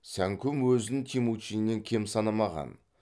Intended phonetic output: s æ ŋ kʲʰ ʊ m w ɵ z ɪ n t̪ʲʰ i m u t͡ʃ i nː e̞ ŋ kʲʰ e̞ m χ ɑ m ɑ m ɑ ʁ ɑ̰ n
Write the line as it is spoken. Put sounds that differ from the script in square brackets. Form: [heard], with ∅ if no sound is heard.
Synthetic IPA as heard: s æ ŋ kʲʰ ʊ m w ɵ z ɪ n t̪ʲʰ i m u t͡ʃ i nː e̞ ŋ kʲʰ e̞ m [s] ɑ [n] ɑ m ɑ ʁ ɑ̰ n